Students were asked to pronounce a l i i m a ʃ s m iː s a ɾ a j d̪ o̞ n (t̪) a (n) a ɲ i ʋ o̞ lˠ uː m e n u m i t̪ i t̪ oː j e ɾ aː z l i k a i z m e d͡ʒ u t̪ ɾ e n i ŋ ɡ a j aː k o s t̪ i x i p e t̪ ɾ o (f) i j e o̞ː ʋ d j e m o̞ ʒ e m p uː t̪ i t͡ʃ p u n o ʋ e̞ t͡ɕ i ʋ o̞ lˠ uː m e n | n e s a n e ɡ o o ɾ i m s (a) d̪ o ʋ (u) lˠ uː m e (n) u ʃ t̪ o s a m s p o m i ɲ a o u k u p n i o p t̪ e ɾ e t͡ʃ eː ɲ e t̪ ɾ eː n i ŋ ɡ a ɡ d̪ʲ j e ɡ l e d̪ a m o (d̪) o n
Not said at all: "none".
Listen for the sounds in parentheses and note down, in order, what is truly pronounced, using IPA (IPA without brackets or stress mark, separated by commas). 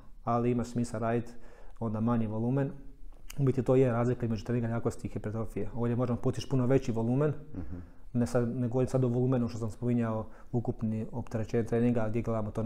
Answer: d̪, m, f, a, o, n, t̪